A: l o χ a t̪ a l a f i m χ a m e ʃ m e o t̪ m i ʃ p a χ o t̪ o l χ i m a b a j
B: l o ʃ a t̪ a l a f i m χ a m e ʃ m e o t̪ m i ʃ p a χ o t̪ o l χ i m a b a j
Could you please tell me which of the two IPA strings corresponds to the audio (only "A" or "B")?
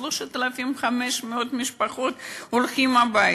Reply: B